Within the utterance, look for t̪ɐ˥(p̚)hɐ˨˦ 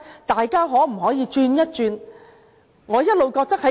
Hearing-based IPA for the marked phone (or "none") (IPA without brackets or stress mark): k̚